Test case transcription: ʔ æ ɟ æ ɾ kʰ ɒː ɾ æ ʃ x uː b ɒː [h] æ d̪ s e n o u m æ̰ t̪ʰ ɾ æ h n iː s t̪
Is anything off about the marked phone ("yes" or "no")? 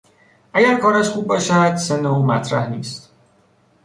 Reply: yes